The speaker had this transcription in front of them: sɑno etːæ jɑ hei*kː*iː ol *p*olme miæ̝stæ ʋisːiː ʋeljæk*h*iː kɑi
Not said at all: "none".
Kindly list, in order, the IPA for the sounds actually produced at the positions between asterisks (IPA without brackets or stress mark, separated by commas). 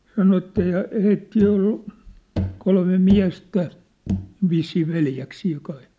tː, k, s